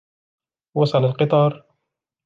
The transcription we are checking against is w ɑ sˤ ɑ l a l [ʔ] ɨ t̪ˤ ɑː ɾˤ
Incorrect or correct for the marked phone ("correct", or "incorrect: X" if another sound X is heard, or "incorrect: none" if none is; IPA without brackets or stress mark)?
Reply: incorrect: q